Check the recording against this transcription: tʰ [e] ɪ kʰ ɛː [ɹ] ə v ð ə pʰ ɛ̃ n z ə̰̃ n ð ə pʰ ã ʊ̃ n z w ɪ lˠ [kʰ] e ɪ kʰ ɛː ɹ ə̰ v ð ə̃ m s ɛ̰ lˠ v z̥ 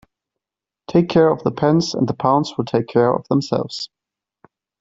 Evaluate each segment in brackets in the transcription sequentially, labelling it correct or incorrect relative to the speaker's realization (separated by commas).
correct, correct, incorrect